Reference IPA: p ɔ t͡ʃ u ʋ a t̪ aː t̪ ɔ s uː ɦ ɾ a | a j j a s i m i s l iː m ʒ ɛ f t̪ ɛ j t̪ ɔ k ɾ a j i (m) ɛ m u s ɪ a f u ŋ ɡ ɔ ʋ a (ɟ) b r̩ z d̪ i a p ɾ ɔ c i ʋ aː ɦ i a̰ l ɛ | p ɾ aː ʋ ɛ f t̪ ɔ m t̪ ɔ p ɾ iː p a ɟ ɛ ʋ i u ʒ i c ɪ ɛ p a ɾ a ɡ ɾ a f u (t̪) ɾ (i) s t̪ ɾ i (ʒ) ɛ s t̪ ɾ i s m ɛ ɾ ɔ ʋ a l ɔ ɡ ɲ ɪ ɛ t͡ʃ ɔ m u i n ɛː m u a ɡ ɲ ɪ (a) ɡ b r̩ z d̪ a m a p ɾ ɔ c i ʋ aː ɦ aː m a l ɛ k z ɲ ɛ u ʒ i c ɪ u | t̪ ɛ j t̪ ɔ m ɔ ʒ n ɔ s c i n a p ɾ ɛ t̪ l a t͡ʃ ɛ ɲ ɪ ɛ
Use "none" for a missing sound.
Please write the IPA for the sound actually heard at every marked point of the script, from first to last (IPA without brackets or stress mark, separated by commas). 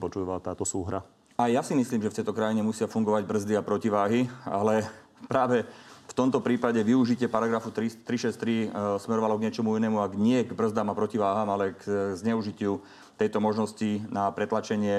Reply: ɲ, ɟ, t̪, i, ʃ, ɛ